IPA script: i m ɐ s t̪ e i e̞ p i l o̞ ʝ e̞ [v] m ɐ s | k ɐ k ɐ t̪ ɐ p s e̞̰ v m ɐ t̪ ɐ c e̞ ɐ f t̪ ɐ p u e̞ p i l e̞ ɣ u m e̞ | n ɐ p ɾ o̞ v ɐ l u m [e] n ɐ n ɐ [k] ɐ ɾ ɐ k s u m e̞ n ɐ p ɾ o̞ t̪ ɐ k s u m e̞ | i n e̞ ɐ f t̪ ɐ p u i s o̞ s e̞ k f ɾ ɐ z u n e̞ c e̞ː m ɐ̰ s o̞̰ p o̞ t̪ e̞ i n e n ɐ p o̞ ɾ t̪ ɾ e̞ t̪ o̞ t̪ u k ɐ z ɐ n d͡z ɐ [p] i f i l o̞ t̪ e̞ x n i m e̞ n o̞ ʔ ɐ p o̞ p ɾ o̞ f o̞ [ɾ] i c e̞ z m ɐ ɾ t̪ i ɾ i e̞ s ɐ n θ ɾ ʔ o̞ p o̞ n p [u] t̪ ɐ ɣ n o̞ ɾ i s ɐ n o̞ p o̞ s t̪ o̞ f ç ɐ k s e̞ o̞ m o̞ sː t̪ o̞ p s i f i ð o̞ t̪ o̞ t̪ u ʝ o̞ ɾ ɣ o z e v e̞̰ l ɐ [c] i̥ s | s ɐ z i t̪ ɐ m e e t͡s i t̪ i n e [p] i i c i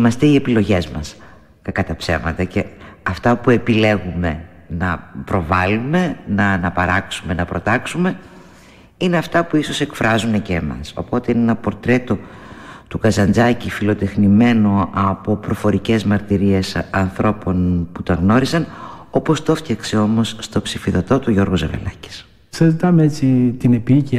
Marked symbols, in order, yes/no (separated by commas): no, yes, no, no, yes, yes, yes, yes